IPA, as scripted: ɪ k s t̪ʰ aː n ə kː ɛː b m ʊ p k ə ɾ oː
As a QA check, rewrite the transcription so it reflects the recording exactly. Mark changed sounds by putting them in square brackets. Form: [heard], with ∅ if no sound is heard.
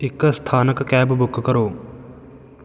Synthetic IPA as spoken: ɪ k s t̪ʰ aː n ə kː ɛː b [b] ʊ [k] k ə ɾ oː